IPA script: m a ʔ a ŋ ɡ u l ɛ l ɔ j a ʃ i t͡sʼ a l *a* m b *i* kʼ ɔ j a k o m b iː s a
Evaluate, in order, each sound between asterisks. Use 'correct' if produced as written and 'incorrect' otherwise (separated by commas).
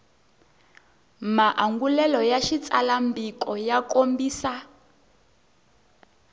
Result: correct, correct